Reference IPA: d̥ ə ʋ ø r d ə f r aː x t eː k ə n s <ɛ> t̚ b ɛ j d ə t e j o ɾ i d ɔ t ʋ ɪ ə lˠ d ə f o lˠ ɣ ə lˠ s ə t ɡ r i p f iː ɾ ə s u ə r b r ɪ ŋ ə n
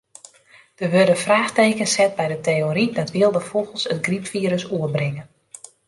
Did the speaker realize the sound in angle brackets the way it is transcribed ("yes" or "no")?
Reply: yes